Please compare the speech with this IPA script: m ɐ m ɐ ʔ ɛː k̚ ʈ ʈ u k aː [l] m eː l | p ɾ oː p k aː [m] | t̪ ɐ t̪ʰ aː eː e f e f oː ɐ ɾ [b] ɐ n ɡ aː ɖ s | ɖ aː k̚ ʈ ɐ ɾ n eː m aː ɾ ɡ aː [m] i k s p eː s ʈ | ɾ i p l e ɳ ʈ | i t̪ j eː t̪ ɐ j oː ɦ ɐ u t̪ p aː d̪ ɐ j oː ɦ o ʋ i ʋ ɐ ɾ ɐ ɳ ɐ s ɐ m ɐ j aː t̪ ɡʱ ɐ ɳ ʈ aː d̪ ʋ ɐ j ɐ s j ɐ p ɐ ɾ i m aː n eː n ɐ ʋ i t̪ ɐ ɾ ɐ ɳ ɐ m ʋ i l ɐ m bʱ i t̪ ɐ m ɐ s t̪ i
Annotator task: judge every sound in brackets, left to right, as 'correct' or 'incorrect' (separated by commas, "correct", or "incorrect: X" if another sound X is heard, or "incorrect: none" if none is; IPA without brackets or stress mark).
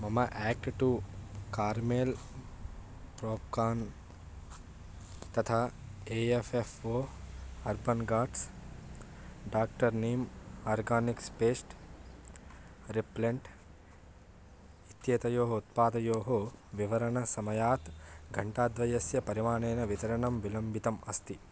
incorrect: ɾ, incorrect: n, correct, incorrect: n